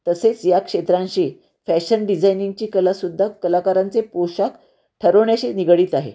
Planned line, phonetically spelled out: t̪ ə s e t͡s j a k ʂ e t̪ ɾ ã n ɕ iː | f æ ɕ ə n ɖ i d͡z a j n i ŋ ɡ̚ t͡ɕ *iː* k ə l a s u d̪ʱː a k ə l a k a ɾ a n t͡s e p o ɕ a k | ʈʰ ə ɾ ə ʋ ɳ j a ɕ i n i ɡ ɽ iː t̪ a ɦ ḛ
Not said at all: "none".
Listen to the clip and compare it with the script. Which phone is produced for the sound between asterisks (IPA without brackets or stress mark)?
iː